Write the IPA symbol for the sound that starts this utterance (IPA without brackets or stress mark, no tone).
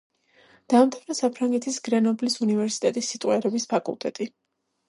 d̪̥